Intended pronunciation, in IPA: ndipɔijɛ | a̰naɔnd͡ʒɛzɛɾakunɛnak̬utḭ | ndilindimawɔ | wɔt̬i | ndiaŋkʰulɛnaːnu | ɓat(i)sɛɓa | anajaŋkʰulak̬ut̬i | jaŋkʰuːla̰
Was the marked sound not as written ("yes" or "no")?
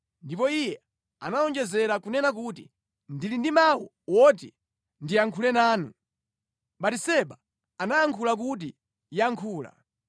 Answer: no